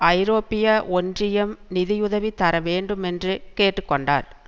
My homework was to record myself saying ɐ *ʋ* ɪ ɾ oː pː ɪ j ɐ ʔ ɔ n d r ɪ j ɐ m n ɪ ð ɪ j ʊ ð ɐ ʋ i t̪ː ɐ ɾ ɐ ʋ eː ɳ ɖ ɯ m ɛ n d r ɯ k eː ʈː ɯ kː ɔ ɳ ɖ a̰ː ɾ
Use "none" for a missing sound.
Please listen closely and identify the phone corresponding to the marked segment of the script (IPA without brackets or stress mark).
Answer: none